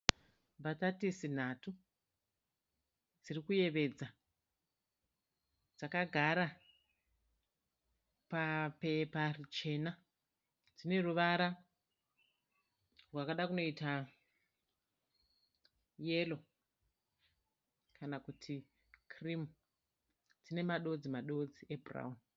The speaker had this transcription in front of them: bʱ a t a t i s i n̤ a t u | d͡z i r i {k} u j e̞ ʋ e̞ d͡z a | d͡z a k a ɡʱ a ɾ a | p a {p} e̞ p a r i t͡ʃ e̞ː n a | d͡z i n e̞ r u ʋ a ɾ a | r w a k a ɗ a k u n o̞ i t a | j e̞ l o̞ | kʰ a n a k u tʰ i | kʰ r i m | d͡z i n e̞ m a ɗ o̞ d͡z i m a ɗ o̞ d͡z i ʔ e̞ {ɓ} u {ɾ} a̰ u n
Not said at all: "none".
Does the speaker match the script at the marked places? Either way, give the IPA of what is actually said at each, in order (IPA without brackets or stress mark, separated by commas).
k, p, b, r